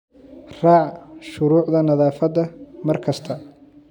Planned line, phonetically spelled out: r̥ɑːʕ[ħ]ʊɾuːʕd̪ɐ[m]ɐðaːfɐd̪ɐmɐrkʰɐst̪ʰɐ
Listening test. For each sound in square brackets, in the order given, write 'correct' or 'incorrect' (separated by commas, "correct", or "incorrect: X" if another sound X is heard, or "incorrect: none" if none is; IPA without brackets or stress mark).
incorrect: ʃ, incorrect: n